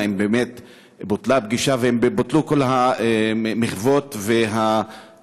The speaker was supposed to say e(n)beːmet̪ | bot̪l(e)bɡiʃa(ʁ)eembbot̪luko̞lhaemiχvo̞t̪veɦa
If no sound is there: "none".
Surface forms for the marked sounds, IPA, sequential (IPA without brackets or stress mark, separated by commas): m, a, v